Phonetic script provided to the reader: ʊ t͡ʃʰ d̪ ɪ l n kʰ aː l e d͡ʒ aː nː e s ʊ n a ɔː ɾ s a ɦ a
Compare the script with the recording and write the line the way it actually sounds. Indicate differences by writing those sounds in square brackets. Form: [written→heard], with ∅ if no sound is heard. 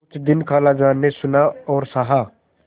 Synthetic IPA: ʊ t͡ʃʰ d̪ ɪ [l→∅] n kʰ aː l [e→a] d͡ʒ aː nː e s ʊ n a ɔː ɾ s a ɦ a